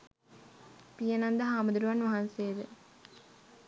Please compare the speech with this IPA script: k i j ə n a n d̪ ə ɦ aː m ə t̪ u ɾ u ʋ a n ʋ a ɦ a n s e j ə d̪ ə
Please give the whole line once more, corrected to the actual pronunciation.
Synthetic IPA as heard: p i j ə n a n d̪ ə ɦ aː m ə d̪ u ɾ u ʋ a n ʋ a ɦ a n s e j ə d̪ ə